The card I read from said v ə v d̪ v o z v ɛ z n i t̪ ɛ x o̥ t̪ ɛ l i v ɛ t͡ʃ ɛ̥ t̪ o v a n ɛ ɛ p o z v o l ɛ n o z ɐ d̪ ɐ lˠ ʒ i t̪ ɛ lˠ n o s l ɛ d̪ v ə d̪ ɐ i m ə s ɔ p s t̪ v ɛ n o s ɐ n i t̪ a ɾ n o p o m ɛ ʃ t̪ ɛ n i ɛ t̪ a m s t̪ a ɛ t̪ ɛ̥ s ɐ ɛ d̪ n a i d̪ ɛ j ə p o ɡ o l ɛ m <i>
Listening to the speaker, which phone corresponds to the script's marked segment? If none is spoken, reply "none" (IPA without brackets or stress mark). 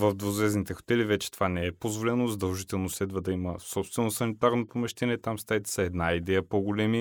i